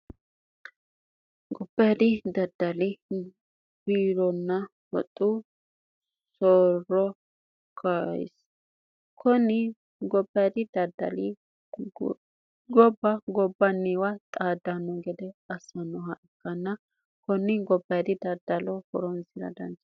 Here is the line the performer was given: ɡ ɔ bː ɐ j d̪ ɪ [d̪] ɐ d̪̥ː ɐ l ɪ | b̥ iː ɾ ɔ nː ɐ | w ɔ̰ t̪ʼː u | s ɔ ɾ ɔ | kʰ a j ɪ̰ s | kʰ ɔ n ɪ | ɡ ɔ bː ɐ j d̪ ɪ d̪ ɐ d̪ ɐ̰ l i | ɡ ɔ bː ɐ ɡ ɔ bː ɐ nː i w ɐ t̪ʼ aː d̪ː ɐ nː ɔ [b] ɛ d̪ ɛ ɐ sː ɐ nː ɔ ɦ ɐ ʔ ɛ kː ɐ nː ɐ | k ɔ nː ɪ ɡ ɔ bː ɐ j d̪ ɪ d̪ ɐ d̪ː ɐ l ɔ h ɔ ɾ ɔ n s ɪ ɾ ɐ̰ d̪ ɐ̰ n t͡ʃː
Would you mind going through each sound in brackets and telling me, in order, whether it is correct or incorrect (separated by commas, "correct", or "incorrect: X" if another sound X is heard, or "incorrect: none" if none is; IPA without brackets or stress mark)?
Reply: correct, incorrect: ɡ